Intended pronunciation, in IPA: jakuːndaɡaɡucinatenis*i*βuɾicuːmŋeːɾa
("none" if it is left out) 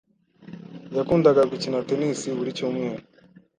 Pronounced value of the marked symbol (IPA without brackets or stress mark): i